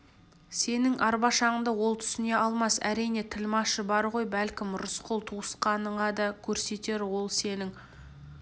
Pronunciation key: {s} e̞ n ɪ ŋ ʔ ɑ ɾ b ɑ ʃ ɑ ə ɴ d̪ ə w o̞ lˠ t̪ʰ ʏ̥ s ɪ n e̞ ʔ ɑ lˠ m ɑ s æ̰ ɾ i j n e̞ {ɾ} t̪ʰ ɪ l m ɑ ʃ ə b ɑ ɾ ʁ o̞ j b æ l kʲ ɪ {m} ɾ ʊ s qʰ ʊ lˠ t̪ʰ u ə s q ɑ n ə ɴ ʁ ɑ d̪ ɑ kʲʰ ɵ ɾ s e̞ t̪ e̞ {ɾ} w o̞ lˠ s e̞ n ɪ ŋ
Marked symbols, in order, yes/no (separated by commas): yes, no, yes, yes